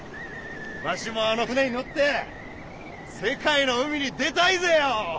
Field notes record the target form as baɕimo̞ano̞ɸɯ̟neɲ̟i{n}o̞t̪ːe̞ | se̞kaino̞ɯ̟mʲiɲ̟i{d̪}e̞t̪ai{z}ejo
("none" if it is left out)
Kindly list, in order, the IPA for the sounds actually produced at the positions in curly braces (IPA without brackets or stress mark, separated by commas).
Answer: n, d̪, z